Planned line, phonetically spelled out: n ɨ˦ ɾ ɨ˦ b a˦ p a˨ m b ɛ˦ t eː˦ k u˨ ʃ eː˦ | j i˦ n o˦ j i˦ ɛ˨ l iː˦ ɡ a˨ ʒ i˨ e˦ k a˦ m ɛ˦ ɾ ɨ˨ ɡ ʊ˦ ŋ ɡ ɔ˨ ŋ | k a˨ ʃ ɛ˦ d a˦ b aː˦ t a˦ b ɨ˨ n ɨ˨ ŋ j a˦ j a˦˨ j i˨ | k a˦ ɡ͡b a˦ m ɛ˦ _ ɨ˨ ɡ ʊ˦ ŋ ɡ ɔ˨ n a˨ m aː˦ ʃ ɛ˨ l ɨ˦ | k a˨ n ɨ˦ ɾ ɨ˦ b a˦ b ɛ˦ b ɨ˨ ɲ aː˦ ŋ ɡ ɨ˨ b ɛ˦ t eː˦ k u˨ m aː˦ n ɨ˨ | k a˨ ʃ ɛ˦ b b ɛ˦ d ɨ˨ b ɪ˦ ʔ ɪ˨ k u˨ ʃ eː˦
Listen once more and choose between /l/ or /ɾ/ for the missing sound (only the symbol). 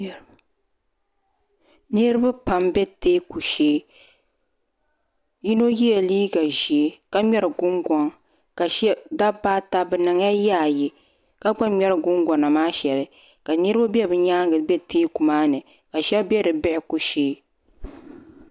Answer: ɾ